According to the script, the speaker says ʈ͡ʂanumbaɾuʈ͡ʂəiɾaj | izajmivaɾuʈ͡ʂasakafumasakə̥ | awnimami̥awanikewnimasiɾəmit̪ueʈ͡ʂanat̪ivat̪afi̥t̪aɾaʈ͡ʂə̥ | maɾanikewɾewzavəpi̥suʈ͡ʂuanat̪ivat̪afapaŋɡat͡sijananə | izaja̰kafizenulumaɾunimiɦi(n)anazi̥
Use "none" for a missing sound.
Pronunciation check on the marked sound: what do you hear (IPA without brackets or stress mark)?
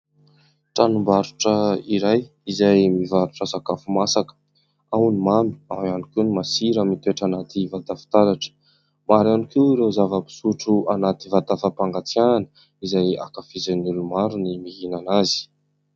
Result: n